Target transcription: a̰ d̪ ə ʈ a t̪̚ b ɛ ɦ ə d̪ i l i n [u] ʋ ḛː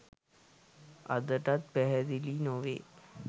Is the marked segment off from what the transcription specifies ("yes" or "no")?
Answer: yes